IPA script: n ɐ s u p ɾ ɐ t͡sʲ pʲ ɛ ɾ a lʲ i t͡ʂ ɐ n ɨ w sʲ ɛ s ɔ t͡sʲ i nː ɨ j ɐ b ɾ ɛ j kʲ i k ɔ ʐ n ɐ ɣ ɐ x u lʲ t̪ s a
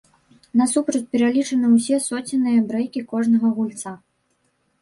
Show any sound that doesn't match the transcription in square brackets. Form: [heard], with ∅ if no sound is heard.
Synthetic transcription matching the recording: n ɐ s u p ɾ ɐ t͡sʲ pʲ ɛ ɾ a lʲ i t͡ʂ ɐ n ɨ w sʲ ɛ s ɔ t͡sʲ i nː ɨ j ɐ b ɾ ɛ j kʲ i k ɔ ʐ n ɐ ɣ ɐ [ɣ] u lʲ t̪ s a